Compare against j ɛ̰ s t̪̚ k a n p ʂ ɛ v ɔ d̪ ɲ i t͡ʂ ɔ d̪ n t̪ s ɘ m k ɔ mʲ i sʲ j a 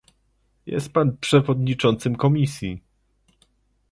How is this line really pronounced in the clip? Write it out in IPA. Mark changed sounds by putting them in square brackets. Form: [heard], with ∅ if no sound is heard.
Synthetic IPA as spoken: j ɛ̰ s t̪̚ [p] a n p ʂ ɛ v ɔ d̪ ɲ i t͡ʂ ɔ [∅] n t̪ s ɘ m k ɔ mʲ i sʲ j [i]